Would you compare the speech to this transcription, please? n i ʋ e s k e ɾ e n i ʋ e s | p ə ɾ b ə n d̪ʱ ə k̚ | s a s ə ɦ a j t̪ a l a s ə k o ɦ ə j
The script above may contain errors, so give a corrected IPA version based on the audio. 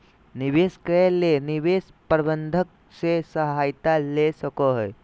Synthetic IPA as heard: n i ʋ e s k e l e n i ʋ e s | p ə ɾ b ə n d̪ʱ ə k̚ | s e s ə ɦ a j t̪ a l e s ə k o ɦ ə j